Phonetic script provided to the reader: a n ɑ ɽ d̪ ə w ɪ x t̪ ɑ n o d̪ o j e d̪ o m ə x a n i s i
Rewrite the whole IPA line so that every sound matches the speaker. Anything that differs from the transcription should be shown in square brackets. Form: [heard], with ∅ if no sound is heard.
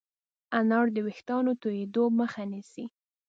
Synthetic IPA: a n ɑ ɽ d̪ ə w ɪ x t̪ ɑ n o [t̪] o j e d̪ o m ə x a n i s i